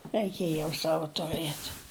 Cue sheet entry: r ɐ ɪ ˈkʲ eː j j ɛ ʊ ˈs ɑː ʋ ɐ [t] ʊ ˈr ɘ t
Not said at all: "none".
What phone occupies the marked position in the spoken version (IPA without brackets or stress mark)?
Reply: t